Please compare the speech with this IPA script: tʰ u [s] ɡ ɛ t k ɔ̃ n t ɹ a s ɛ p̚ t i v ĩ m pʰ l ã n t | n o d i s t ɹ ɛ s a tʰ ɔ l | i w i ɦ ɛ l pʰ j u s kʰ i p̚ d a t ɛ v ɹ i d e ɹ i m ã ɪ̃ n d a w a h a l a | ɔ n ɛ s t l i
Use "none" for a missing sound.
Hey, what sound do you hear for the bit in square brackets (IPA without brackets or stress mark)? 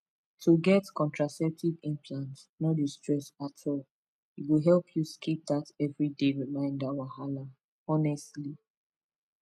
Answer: none